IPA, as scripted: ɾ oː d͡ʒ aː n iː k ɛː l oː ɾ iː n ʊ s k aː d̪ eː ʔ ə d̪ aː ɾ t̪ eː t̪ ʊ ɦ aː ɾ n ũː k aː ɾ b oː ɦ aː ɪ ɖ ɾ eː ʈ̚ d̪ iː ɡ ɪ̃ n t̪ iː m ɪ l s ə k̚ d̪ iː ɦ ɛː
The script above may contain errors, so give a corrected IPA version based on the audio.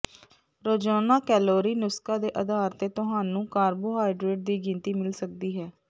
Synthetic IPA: ɾ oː d͡ʒ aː n aː k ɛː l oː ɾ iː n ʊ s k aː d̪ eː ʔ ə d̪ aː ɾ t̪ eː t̪ ʊ ɦ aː n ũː k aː ɾ b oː ɦ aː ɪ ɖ ɾ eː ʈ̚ d̪ iː ɡ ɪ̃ n t̪ iː m ɪ l s ə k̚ d̪ iː ɦ ɛː

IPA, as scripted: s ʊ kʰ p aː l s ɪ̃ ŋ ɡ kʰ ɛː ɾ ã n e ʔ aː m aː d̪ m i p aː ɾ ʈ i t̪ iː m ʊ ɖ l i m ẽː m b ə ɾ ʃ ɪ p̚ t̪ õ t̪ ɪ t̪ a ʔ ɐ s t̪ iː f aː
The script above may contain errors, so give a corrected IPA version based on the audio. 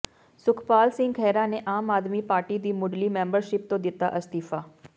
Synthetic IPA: s ʊ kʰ p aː l s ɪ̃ ŋ ɡ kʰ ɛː ɾ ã n e ʔ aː m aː d̪ m i p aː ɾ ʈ i d̪ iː m ʊ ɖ l i m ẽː m b ə ɾ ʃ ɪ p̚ t̪ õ d̪ ɪ t̪ a ʔ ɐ s t̪ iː f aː

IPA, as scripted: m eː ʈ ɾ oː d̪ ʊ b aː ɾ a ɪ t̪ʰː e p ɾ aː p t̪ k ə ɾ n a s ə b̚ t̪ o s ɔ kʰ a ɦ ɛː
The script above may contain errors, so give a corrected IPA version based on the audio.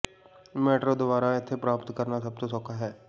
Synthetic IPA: m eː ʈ ɾ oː d̪ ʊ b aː ɾ a ɪ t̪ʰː e p ɾ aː p t̪ k ə ɾ n a s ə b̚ t̪ o s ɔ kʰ a ɦ ɛː

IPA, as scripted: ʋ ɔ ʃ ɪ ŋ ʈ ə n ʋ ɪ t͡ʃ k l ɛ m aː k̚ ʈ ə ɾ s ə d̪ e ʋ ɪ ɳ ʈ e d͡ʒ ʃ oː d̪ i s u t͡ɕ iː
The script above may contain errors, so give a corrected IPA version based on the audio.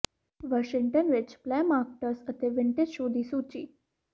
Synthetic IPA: ʋ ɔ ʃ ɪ ŋ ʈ ə n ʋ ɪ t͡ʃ p l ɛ m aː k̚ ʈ ə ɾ s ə t̪ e ʋ ɪ ɳ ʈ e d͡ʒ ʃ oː d̪ i s u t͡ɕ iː

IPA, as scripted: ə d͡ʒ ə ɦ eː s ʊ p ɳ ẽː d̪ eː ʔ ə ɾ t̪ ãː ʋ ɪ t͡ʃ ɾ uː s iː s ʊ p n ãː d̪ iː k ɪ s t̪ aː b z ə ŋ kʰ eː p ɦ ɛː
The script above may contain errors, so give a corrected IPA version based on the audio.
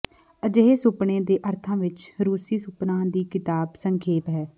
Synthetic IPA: ə d͡ʒ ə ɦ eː s ʊ p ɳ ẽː d̪ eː ʔ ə ɾ t̪ʰ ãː ʋ ɪ t͡ʃ ɾ uː s iː s ʊ p n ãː d̪ iː k ɪ t̪ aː b s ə ŋ kʰ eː p ɦ ɛː

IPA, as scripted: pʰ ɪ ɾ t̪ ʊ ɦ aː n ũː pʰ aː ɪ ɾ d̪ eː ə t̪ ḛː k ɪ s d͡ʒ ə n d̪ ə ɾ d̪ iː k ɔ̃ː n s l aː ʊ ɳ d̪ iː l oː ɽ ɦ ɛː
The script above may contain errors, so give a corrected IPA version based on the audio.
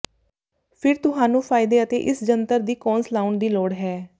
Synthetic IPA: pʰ ɪ ɾ t̪ ʊ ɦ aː n ũː pʰ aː ɪ d̪ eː ə t̪ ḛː ʔ ɪ s d͡ʒ ə n t̪ ə ɾ d̪ iː k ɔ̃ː n s l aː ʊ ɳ d̪ iː l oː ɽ ɦ ɛː

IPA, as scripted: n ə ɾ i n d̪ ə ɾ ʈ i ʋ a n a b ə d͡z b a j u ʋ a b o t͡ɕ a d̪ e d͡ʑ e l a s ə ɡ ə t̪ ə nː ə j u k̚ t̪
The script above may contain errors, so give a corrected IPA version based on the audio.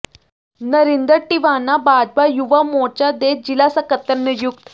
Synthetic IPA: n ə ɾ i n d̪ ə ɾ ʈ i ʋ a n a b a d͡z b a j u ʋ a m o t͡ɕ a d̪ e d͡ʑ i l a s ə k ə t̪ ə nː ə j u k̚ t̪

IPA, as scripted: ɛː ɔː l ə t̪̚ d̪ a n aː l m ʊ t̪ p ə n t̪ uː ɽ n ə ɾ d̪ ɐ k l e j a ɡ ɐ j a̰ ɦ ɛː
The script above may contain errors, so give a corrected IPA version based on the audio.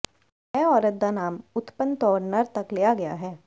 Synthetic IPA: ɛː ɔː ɾ ə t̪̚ d̪ a n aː m ʊ t̪ p ə n t̪ ɔː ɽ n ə ɾ t̪ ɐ k l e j a ɡ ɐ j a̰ ɦ ɛː

